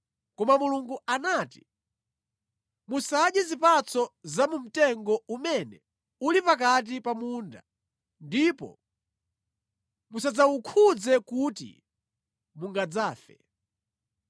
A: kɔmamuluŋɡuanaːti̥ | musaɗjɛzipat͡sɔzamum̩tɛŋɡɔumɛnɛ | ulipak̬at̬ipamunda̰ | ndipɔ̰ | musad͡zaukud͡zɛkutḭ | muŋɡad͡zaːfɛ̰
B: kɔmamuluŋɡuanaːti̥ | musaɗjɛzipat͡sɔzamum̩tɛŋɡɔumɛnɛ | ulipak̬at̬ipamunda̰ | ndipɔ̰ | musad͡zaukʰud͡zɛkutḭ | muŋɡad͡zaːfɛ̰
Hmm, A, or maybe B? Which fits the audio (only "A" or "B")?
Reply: B